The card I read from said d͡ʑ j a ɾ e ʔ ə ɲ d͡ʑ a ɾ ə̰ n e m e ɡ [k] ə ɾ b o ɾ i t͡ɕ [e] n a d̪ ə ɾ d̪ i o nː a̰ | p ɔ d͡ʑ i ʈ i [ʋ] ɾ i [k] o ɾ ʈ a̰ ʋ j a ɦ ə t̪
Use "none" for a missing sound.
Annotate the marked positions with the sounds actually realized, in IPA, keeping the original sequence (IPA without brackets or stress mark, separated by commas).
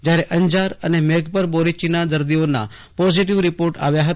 p, i, ʋ, p